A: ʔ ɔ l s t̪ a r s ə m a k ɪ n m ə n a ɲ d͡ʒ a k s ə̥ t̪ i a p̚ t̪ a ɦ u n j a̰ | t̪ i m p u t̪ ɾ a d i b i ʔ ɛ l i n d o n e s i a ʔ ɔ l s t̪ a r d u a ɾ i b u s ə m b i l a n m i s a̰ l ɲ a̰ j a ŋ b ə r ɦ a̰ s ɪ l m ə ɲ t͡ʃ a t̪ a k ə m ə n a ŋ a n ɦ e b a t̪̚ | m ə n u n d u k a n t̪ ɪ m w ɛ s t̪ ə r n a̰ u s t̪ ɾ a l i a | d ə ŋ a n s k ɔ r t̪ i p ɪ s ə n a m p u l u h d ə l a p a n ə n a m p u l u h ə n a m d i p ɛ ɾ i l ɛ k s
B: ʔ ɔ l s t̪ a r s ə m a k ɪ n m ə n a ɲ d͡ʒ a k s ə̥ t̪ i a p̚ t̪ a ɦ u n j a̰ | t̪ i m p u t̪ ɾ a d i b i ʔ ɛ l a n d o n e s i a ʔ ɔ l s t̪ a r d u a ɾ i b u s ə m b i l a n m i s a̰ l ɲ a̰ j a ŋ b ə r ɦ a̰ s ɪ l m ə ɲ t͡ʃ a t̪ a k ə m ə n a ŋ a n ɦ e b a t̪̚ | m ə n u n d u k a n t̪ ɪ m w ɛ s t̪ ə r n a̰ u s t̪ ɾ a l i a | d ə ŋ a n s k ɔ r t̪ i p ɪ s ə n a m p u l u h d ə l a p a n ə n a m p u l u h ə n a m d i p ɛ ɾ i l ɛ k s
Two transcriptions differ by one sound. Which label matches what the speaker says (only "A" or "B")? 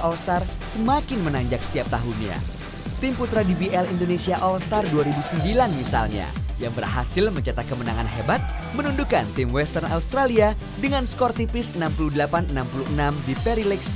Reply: A